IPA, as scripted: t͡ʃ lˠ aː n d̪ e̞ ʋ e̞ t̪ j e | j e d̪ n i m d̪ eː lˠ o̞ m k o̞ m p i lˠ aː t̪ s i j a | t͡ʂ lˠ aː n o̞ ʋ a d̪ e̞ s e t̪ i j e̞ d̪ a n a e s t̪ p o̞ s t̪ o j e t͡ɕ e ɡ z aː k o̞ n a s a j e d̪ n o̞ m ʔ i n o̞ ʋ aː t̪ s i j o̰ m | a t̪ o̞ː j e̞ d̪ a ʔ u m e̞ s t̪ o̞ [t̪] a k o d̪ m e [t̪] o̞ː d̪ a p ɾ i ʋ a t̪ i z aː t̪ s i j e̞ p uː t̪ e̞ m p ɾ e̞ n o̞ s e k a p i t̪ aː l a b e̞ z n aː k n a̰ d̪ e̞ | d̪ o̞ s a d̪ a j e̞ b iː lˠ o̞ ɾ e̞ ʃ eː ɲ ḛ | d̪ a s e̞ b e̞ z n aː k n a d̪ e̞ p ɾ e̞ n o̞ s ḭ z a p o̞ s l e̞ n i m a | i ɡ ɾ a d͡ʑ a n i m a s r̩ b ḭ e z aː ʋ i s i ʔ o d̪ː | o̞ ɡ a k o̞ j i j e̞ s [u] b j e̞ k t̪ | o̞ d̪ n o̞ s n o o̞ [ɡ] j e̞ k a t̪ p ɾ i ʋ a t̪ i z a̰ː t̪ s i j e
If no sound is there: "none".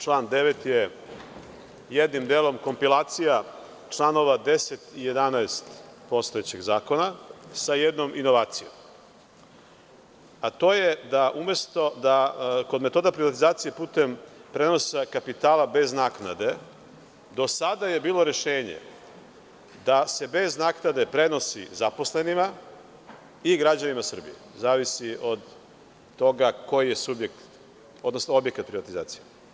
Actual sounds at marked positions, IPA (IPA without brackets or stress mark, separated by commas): d̪, t̪, u, b